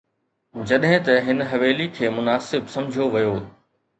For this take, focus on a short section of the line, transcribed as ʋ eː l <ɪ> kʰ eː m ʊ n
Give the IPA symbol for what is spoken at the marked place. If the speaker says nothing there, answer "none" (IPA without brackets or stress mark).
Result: i